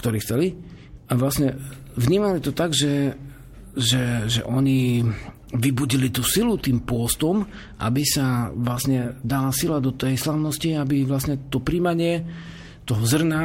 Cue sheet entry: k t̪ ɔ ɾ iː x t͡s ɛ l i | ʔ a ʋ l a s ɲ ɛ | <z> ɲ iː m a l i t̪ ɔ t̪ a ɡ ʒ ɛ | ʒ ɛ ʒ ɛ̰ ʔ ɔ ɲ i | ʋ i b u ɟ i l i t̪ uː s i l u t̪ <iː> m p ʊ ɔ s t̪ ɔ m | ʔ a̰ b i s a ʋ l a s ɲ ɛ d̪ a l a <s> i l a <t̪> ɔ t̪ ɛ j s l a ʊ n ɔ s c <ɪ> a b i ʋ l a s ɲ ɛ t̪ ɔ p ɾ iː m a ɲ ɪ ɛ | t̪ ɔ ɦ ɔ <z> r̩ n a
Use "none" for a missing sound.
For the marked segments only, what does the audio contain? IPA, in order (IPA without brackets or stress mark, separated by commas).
v, iː, s, d̪, i, z